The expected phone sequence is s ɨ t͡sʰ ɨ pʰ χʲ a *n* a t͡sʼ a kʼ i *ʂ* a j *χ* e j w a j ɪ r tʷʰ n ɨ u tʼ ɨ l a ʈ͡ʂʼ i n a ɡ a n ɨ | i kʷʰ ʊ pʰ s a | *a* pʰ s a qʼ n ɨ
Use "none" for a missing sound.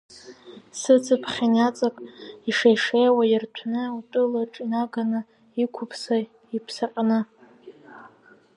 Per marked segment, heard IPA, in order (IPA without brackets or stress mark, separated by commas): n, ʂ, ʂ, i